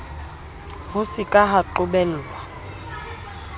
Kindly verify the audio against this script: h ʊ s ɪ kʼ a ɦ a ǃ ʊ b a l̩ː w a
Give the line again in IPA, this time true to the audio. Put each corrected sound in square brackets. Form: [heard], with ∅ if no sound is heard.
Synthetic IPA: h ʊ s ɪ kʼ a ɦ a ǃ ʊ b [ɛ] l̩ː w a